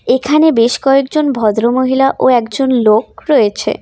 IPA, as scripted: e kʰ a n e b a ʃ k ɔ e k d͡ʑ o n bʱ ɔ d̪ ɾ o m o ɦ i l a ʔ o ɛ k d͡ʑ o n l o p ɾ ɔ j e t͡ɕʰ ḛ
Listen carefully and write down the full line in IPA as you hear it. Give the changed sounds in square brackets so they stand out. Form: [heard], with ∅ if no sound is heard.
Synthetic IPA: e kʰ a n e b [e] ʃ k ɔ e k d͡ʑ o n bʱ ɔ d̪ ɾ o m o ɦ i l a ʔ o ɛ k d͡ʑ o n l o [k] ɾ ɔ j e t͡ɕʰ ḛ